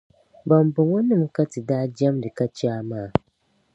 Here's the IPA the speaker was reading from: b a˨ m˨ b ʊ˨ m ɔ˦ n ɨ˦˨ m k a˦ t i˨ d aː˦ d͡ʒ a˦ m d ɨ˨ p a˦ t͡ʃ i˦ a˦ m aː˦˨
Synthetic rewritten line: b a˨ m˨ b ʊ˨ ŋ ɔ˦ n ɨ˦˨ m k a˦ t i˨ d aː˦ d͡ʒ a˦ m d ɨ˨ k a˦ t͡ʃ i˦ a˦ m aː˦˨